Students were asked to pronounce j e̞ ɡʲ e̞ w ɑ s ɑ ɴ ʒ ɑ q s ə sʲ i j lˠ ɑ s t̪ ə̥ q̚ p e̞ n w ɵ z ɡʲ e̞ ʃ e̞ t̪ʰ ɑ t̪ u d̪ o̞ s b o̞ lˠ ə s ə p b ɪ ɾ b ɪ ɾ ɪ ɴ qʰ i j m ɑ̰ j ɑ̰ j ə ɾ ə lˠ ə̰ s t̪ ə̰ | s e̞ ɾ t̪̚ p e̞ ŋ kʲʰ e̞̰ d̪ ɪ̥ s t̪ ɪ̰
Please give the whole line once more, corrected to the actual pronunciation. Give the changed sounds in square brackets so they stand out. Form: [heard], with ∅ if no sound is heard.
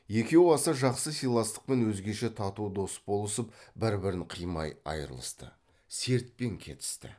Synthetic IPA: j e̞ [kʲ] e̞ w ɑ s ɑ [∅] ʒ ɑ q s ə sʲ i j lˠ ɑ s t̪ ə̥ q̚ p e̞ n w ɵ z ɡʲ e̞ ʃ e̞ t̪ʰ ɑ t̪ u d̪ o̞ s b o̞ lˠ ə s ə p b ɪ ɾ b ɪ ɾ ɪ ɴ qʰ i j m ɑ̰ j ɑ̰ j ə ɾ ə lˠ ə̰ s t̪ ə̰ | s e̞ ɾ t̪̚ p e̞ ŋ kʲʰ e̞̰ [t̪] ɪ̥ s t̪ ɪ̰